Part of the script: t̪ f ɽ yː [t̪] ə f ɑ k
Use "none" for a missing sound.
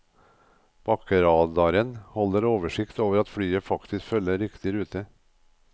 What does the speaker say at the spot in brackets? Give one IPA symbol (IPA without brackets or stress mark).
none